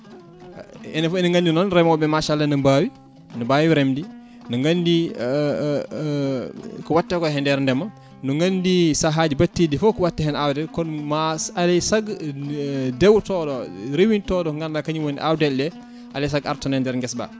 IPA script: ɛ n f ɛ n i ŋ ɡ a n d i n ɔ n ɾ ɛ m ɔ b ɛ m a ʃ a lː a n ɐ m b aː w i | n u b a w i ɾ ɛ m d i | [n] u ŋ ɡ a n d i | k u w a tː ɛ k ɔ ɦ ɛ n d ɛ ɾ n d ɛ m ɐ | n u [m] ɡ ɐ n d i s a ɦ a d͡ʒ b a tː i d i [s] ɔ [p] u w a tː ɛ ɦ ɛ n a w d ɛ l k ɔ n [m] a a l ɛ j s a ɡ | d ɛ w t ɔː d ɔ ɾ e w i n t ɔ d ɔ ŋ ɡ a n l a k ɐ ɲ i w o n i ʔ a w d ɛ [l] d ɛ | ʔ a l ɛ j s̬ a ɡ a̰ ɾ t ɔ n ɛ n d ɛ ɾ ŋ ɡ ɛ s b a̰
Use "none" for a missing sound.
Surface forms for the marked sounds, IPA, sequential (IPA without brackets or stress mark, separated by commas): n, ŋ, f, k, m, l